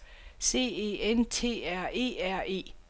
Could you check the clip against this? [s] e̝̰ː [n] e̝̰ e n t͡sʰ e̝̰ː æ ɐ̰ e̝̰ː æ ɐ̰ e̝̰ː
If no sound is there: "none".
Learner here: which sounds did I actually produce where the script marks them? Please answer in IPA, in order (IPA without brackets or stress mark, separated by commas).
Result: s, none